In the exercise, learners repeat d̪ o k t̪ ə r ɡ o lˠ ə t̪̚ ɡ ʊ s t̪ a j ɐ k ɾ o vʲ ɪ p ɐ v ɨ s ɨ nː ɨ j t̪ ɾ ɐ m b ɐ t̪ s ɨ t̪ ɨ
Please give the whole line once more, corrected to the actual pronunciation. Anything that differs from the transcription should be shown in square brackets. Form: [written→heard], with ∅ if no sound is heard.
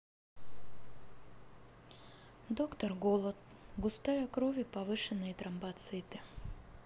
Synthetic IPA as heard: d̪ o k t̪ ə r ɡ o lˠ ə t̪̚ ɡ ʊ s t̪ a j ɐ k ɾ o vʲ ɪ p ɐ v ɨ [s→ʂ] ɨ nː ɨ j t̪ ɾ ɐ m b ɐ t̪ s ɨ t̪ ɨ